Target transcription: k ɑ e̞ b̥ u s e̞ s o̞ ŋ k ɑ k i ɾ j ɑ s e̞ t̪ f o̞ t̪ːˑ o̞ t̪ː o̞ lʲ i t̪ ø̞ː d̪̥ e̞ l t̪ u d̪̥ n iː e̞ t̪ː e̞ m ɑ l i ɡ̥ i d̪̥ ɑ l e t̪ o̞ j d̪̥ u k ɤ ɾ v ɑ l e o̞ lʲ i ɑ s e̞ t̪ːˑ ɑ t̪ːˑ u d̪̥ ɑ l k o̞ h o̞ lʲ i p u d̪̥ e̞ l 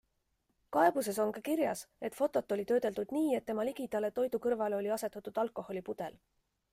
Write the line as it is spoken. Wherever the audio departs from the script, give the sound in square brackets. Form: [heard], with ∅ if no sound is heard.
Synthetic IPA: k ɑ e̞ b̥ u s e̞ s o̞ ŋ k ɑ k i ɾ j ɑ s e̞ t̪ f o̞ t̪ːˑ o̞ t̪ː o̞ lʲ i t̪ ø̞ː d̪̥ e̞ l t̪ u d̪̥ n iː e̞ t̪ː e̞ m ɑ l i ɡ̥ i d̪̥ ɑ l e t̪ o̞ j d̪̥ u k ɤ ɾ v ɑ l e o̞ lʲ i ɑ s e̞ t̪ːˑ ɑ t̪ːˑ u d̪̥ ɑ l k o̞ h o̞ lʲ i p u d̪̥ e̞ l